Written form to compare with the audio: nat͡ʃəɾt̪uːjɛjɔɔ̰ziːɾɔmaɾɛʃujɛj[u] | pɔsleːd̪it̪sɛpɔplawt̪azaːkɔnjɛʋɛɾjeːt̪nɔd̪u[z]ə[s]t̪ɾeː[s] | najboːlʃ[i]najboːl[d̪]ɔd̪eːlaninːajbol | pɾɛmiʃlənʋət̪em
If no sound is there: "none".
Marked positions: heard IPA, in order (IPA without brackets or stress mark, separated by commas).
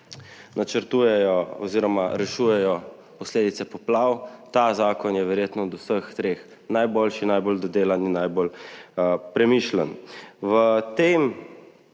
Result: ɔ, s, x, x, i, d̪